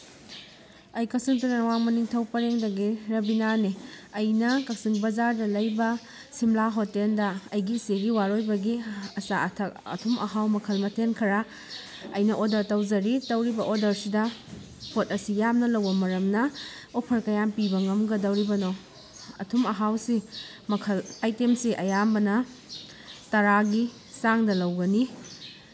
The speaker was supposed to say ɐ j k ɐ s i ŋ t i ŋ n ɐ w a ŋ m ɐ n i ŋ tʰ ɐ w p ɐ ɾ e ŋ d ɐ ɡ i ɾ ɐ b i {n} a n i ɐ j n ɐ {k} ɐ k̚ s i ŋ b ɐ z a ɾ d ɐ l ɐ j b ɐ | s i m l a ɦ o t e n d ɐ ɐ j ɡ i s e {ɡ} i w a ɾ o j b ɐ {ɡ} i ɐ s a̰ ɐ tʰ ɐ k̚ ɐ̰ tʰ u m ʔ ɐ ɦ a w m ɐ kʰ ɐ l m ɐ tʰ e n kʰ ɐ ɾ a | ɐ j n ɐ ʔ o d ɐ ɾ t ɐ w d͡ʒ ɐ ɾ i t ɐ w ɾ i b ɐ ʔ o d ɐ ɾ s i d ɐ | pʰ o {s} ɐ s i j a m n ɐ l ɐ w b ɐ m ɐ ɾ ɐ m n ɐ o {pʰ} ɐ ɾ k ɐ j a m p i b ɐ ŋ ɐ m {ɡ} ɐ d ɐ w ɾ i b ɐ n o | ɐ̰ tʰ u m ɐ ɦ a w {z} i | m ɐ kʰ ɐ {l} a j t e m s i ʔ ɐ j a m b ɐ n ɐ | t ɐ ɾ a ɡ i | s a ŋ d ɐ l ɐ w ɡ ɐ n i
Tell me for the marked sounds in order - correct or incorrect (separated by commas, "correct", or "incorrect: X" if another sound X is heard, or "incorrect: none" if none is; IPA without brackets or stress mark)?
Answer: correct, correct, correct, correct, incorrect: t, correct, correct, incorrect: s, correct